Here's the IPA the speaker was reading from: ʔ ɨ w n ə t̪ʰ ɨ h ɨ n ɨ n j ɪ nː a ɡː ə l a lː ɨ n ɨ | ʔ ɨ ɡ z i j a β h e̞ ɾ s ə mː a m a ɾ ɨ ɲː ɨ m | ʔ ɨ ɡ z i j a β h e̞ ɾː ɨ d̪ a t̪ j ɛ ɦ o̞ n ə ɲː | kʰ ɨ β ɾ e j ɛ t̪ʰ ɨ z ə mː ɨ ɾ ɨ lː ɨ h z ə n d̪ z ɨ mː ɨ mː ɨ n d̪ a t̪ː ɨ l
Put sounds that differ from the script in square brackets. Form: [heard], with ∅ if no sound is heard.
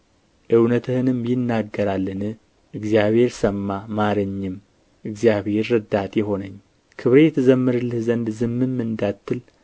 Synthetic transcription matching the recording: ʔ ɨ w n ə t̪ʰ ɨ h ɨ n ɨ [m] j ɪ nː a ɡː ə [ɾ] a lː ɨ n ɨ | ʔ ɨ ɡ z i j a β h e̞ ɾ s ə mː a m a ɾ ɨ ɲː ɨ m | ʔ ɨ ɡ z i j a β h e̞ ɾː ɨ d̪ a t̪ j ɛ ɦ o̞ n ə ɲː | kʰ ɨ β ɾ e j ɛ t̪ʰ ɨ z ə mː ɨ ɾ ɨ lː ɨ h z ə n d̪ z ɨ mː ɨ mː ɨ n d̪ a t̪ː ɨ l